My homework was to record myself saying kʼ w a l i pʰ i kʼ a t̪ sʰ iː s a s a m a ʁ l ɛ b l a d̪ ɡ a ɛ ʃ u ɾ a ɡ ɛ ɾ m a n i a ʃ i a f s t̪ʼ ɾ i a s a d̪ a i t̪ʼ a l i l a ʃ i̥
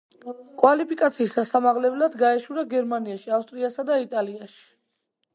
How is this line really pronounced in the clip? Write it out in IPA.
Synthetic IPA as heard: kʼ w a l i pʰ i kʼ a t̪ sʰ iː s a s a m a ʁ l ɛ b l a d̪ ɡ a ɛ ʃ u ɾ a ɡ ɛ ɾ m a n i a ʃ i a f s t̪ʼ ɾ i a s a d̪ a i t̪ʼ a l i a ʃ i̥